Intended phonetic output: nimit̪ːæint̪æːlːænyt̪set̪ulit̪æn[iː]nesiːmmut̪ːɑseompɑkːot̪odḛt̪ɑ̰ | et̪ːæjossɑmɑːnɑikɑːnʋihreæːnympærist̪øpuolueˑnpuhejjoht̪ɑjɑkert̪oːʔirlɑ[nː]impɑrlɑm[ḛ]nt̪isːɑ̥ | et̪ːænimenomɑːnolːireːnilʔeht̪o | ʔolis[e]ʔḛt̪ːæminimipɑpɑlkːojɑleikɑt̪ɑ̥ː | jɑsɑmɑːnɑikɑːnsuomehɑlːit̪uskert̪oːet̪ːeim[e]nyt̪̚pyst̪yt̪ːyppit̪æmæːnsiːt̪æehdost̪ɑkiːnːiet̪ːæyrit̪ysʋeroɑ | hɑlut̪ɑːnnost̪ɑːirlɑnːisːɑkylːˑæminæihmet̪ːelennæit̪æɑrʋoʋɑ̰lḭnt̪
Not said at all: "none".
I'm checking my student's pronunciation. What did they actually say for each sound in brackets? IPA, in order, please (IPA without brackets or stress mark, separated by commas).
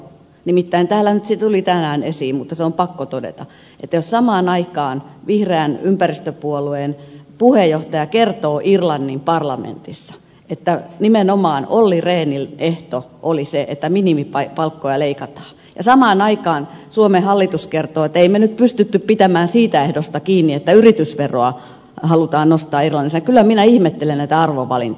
æː, nː, ḛ, e, e